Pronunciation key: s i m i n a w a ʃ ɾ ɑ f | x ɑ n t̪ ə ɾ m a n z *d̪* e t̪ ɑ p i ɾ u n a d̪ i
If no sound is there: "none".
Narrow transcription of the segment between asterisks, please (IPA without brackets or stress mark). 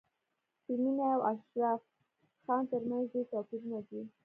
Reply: d̪